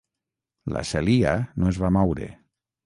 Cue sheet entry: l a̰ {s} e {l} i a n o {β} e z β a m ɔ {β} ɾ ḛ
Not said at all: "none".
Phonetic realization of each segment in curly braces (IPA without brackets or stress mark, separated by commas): s, l, none, w